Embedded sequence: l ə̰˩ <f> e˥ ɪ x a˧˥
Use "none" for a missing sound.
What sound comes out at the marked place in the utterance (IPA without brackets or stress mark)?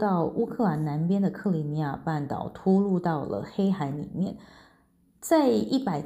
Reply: x